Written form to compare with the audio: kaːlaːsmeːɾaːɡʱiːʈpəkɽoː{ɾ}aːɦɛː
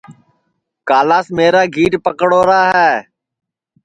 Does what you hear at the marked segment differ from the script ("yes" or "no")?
no